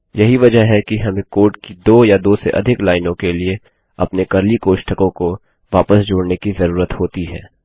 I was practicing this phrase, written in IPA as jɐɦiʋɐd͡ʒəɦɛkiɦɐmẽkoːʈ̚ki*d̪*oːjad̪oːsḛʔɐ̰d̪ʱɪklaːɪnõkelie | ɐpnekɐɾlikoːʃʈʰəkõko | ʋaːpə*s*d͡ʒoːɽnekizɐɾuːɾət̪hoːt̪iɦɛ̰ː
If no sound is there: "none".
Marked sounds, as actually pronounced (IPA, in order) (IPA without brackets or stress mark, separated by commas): d̪, s